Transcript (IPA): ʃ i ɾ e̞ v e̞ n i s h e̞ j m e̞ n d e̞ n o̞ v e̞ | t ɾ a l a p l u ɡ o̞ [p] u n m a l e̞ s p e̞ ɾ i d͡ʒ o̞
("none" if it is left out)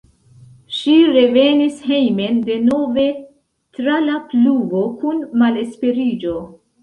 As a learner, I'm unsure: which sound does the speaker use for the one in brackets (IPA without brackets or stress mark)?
k